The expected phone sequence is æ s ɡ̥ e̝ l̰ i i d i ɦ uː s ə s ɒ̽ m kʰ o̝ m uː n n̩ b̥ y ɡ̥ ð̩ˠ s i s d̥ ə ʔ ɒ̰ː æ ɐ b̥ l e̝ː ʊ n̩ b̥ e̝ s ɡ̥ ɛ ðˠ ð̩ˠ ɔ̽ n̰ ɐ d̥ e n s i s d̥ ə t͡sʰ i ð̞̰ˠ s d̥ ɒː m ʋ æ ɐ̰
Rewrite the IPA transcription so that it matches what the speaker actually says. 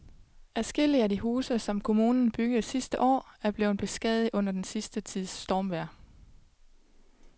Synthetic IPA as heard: æ s ɡ̥ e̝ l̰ i æ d i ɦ uː s ə s ɒ̽ m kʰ o̝ m uː n n̩ b̥ y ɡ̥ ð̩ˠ s i s d̥ ə ʔ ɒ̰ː æ ɐ b̥ l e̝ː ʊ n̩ b̥ e̝ s ɡ̥ ɛ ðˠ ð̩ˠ ɔ̽ n̰ ɐ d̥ e n s i s d̥ ə t͡sʰ i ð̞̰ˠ s d̥ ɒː m ʋ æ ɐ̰